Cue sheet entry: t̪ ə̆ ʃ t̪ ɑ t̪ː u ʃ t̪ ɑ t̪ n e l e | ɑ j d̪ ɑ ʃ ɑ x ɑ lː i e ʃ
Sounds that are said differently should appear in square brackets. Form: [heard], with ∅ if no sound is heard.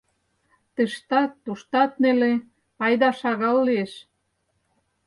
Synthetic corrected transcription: t̪ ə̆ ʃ t̪ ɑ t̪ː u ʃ t̪ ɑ t̪ n e l e | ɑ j d̪ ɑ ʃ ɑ [ɣ] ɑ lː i e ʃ